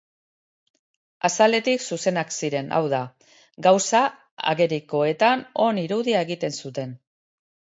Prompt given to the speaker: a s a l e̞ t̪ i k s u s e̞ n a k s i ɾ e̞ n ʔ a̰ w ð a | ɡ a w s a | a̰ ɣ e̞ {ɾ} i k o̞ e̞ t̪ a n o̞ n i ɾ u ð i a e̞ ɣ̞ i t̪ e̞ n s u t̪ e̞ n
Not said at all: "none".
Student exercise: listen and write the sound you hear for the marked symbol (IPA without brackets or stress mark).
ɾ